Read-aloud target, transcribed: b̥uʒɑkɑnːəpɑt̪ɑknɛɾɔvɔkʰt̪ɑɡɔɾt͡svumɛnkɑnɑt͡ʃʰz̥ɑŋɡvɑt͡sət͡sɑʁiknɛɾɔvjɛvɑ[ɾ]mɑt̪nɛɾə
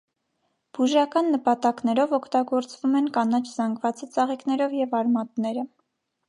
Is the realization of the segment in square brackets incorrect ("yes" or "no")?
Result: no